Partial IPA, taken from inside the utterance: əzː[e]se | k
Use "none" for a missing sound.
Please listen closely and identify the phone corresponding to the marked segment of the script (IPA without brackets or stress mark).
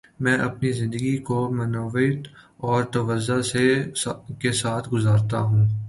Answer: a